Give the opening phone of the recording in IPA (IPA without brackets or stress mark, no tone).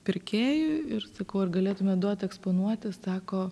pʲ